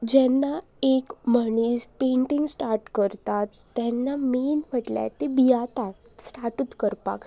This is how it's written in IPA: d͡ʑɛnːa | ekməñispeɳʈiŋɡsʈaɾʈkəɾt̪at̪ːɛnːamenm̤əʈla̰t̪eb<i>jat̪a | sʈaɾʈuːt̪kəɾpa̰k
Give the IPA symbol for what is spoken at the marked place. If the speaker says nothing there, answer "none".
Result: i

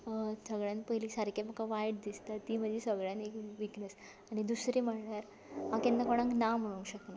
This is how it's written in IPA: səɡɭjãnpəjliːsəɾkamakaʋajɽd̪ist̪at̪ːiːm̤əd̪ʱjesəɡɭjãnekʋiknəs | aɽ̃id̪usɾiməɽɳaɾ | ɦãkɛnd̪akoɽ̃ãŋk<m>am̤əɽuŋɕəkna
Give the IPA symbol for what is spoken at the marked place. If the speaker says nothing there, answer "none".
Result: n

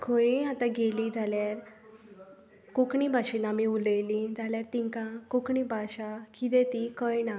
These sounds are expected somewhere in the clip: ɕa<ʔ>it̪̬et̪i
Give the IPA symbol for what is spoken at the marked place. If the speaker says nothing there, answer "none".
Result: k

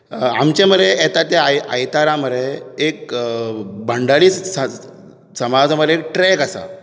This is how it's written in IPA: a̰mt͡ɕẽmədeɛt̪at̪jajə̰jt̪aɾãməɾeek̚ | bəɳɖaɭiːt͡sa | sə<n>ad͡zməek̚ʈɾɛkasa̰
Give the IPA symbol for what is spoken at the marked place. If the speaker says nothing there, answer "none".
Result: m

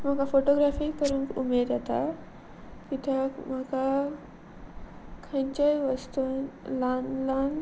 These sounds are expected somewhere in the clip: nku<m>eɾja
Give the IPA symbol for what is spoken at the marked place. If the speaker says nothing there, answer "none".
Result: m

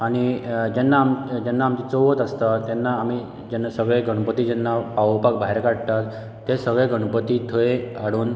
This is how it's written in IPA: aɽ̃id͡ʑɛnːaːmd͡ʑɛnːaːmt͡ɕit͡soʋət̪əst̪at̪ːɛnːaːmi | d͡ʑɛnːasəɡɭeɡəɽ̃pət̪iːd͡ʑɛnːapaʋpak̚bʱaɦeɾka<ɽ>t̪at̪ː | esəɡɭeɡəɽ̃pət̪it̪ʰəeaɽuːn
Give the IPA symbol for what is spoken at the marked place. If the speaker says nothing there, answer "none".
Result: ɽ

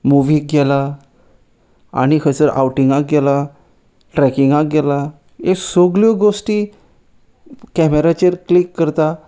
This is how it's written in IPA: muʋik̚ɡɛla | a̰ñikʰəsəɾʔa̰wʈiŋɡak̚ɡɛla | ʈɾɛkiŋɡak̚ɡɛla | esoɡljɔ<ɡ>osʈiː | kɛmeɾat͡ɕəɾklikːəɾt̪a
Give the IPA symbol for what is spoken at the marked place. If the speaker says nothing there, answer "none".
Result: ɡ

